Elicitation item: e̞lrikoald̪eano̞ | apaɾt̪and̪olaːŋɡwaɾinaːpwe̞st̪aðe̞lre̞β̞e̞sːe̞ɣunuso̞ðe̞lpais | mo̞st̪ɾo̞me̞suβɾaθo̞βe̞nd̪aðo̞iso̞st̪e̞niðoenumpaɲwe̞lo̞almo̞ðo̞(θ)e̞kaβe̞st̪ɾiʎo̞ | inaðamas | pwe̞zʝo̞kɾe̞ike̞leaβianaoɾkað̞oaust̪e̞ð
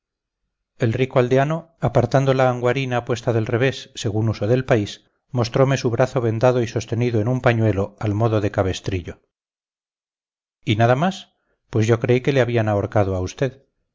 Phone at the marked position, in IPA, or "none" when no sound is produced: ð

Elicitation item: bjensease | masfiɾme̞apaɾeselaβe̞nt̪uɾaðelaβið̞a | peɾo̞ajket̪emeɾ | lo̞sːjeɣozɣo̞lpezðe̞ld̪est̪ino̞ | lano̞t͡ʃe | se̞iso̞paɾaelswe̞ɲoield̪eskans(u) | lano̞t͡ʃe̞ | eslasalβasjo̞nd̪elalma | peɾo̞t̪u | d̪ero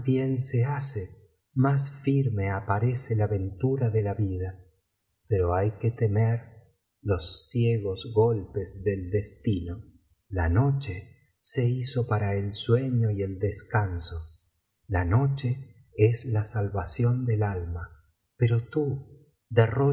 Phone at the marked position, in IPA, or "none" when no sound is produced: o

